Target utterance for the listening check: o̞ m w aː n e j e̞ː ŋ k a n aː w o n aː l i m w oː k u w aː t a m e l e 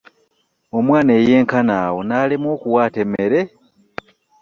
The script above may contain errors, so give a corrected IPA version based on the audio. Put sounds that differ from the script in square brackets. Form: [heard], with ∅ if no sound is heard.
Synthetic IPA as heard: o̞ m w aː n e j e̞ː ŋ k a n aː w o n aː l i m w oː k u w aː t [e] m e [ɾ] e